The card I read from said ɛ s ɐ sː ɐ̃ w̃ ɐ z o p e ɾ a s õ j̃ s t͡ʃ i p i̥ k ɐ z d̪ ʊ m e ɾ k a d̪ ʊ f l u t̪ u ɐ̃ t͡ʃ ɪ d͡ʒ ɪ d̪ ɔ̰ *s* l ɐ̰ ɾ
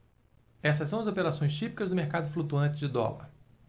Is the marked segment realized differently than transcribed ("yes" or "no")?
yes